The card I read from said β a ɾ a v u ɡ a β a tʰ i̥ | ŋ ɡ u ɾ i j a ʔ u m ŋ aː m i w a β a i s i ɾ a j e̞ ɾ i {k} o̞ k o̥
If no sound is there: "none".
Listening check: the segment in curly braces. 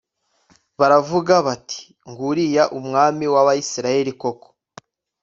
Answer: k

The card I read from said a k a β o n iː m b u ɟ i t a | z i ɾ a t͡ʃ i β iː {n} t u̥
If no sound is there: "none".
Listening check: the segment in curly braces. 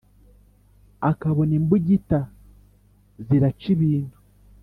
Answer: n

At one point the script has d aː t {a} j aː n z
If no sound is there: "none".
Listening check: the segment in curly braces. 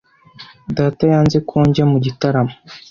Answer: a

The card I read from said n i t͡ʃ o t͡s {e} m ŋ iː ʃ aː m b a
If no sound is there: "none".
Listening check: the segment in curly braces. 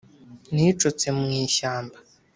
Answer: e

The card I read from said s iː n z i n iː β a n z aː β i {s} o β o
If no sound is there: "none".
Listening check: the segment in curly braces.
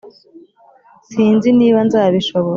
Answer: ʃ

